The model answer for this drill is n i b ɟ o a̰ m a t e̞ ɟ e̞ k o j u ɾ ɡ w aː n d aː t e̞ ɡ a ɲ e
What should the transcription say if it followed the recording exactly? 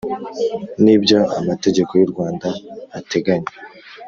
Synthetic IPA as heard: n i b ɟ o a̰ m a t e̞ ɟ e̞ k o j u ɾ ɡ w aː n d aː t e̞ ɡ a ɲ e